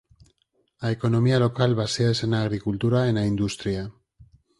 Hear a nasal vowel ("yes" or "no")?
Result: no